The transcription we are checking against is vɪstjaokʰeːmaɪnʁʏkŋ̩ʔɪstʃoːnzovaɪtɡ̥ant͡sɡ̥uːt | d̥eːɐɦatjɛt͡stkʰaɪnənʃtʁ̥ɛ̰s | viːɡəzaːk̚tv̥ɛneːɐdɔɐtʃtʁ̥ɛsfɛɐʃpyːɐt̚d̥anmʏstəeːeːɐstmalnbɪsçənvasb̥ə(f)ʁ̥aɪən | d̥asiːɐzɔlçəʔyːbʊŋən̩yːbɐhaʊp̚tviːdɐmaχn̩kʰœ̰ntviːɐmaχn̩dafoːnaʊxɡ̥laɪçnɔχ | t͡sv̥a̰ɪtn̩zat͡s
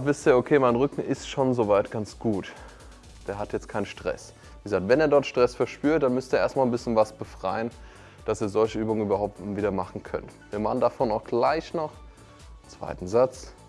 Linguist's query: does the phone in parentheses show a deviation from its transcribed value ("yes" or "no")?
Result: no